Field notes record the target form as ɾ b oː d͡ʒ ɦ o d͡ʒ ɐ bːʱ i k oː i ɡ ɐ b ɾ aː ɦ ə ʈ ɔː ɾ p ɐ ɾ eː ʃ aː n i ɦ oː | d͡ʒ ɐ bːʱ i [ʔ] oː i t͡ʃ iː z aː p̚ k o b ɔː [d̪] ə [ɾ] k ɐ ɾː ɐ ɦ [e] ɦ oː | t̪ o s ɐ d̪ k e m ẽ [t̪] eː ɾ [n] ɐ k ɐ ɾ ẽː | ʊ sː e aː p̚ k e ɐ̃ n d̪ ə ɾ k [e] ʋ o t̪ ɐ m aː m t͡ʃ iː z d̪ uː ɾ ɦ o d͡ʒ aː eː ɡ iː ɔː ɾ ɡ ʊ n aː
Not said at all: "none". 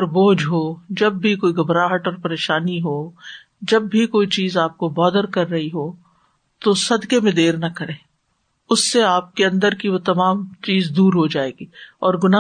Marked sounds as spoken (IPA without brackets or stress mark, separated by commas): k, d̪, ɾ, i, d̪, n, i